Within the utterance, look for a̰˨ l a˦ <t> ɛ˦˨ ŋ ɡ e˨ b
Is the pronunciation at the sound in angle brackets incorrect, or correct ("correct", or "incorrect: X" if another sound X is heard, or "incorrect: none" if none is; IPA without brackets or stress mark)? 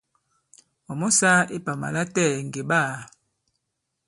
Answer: correct